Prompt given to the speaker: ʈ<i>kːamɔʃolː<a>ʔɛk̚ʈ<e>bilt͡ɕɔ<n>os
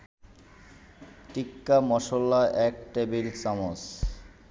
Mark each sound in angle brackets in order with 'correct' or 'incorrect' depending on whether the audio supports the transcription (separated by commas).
correct, correct, correct, incorrect